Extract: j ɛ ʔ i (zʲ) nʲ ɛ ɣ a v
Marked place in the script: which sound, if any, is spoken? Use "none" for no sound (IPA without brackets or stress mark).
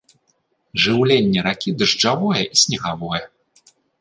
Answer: sʲ